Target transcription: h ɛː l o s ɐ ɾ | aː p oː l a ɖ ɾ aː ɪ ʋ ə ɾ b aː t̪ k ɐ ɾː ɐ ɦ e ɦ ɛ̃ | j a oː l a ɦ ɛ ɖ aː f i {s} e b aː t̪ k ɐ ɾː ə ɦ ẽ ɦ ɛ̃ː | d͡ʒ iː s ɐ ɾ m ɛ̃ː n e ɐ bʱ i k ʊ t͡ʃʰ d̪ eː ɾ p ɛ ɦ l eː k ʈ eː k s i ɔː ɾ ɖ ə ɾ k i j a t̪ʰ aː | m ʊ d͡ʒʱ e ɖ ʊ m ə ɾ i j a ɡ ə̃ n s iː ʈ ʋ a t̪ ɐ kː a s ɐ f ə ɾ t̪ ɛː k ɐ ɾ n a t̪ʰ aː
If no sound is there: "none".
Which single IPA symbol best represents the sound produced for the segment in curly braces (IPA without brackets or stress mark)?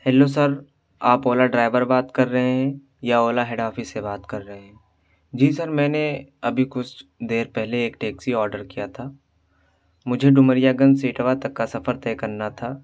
s